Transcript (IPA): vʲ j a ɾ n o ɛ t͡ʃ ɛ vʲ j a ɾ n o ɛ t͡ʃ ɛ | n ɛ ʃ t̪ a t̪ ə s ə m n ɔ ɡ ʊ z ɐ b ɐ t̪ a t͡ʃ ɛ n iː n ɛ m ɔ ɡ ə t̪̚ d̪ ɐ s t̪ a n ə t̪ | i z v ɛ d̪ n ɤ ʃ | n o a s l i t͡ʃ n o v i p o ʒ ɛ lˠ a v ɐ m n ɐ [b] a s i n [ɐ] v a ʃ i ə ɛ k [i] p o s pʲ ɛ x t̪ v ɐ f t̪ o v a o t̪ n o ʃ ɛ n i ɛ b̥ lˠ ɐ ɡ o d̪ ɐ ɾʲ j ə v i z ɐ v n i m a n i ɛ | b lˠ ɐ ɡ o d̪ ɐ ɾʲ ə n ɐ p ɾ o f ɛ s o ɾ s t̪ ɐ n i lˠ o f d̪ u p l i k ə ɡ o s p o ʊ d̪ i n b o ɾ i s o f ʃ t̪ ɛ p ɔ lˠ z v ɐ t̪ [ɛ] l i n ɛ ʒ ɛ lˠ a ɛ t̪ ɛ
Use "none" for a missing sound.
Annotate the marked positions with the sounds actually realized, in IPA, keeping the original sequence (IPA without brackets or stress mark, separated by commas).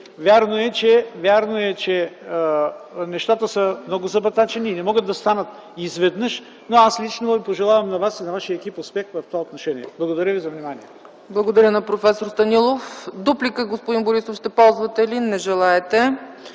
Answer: v, ɐ, i, ɛ